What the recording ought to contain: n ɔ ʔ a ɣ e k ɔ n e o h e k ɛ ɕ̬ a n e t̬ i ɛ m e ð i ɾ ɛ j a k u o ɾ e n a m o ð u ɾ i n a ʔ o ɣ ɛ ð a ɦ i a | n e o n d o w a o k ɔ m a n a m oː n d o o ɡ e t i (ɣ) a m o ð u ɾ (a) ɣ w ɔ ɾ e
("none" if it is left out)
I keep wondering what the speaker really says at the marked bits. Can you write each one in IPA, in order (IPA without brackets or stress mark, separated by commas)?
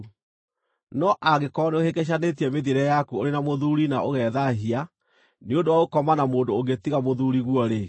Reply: ɣ, i